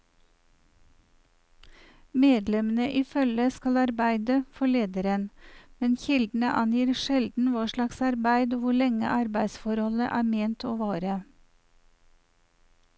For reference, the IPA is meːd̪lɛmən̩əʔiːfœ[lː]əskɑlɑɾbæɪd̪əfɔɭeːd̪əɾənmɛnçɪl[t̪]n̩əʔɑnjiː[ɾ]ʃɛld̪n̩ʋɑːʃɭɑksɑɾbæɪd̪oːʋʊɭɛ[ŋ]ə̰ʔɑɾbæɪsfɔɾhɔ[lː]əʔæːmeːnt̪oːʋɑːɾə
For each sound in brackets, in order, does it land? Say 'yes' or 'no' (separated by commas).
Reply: no, no, yes, yes, no